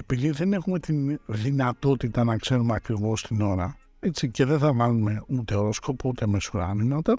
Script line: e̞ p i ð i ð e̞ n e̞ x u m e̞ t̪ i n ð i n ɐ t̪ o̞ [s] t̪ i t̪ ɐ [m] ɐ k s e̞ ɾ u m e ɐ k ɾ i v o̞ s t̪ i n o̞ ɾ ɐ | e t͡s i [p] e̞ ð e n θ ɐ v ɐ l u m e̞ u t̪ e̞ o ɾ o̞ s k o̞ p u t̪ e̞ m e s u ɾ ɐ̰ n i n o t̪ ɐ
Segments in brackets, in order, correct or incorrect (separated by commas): incorrect, incorrect, incorrect